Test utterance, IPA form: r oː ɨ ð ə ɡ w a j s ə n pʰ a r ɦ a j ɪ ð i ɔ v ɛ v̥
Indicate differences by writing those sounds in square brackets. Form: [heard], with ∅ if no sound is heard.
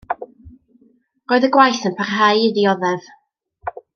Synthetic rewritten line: r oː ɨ ð ə ɡ w a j [θ] ə n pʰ a r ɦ a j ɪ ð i ɔ [ð] ɛ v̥